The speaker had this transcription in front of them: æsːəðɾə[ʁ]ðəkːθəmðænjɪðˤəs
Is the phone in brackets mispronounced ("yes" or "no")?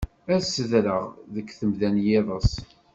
no